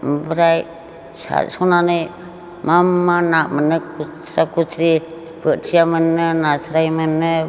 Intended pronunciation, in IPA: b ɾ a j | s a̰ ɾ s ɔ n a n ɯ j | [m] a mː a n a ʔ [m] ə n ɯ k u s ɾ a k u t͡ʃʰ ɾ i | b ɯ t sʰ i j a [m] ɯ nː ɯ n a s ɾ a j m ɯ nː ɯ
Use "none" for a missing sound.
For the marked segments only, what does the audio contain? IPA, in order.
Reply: m, m, m

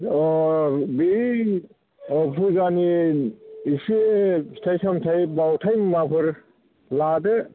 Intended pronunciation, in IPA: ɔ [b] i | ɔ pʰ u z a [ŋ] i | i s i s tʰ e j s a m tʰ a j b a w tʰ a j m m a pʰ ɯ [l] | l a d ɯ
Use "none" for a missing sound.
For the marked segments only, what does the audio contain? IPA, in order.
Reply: b, n, ɾ

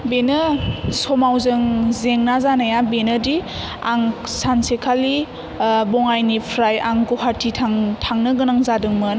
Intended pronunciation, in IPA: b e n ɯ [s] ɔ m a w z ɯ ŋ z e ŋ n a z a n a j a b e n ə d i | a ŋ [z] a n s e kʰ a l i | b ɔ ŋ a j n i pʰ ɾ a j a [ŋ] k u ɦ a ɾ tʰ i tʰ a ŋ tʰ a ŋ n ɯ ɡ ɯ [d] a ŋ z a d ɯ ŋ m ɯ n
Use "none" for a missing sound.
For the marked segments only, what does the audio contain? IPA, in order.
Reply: s, s, ŋ, n

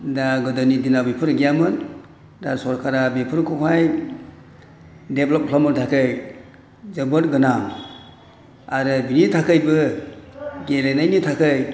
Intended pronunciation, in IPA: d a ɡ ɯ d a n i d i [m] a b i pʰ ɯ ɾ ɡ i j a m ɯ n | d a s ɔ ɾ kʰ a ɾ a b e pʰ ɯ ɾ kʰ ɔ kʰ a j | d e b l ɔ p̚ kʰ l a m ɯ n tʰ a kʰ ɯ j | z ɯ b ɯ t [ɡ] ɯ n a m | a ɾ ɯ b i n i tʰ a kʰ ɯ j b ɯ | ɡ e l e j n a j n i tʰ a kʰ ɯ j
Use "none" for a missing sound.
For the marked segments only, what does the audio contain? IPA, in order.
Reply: n, ɡ

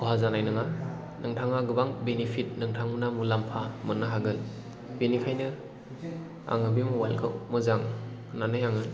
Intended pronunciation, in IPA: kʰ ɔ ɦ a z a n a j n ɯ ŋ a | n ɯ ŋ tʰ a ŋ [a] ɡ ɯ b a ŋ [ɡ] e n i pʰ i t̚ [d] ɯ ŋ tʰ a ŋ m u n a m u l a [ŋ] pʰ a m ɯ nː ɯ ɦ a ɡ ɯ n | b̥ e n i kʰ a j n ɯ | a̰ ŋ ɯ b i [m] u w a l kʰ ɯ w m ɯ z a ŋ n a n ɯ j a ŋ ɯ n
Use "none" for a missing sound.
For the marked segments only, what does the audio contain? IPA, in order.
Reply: a, b, n, m, m

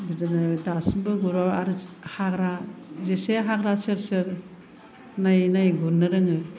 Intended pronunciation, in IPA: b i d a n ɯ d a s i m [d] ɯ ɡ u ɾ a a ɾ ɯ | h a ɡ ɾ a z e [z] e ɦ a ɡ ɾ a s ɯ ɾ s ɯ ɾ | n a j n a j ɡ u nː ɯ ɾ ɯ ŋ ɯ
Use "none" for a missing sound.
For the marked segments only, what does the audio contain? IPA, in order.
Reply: b, s

